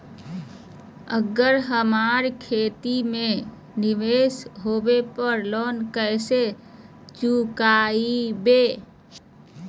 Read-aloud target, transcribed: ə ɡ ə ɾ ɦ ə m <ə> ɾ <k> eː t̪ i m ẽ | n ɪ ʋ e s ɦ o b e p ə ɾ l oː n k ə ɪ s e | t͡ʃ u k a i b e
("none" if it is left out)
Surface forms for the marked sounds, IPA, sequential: a, kʰ

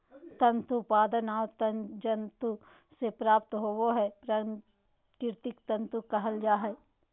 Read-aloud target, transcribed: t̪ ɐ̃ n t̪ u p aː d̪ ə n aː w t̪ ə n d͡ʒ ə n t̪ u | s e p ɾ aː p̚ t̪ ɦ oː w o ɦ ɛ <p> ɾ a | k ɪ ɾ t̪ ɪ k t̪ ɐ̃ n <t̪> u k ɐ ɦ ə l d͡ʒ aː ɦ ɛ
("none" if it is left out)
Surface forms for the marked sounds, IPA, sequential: p, t̪

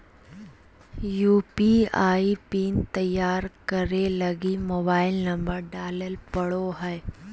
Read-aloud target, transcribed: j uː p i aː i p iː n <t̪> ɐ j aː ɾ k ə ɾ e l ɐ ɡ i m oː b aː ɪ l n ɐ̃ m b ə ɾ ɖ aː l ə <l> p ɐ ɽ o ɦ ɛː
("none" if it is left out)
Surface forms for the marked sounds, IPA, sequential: t̪, l

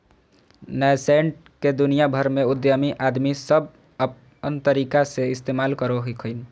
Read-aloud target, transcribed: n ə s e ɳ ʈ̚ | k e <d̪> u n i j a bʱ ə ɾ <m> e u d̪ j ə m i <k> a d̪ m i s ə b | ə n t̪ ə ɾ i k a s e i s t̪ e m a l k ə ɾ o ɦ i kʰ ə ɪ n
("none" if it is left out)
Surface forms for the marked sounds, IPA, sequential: d̪, m, ʔ

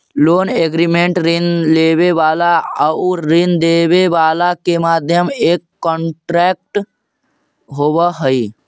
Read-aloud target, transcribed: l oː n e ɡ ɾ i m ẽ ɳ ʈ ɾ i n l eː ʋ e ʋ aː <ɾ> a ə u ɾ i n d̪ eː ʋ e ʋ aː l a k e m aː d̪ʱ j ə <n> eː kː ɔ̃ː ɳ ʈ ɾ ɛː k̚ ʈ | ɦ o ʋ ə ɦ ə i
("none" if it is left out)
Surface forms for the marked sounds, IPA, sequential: l, m

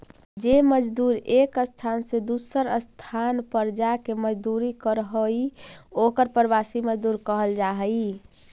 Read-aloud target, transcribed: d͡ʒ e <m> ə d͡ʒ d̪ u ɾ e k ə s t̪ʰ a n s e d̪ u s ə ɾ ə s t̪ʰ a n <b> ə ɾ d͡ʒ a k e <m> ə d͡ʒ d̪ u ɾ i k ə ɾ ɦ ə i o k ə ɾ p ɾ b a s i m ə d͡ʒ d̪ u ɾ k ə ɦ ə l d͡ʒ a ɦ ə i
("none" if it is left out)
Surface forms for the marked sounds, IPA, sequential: m, p, m

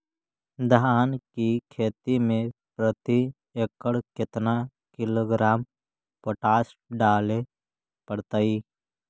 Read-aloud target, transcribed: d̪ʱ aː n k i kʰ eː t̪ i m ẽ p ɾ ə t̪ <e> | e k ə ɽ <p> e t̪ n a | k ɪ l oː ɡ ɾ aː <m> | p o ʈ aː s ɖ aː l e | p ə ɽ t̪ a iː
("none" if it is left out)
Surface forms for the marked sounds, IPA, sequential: i, k, m

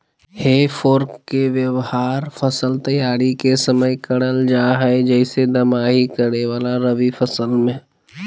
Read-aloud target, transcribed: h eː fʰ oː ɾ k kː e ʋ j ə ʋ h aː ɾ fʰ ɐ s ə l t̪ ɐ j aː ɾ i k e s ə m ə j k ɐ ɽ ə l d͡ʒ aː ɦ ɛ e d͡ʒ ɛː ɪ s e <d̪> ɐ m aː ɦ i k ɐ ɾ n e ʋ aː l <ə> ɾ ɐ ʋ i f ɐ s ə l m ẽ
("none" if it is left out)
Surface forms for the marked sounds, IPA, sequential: d̪, a

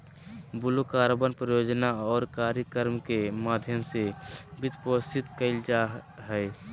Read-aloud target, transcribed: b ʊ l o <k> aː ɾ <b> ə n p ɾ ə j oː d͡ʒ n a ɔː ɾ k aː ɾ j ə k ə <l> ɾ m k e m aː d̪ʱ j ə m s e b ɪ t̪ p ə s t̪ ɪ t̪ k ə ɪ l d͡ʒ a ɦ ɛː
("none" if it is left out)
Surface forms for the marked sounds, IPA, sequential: k, b, none

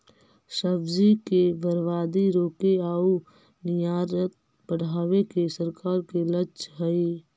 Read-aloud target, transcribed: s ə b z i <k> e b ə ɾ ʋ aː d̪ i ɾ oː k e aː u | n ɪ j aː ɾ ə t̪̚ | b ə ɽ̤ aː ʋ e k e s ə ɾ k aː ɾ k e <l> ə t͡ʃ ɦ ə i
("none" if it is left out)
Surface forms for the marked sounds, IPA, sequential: k, l

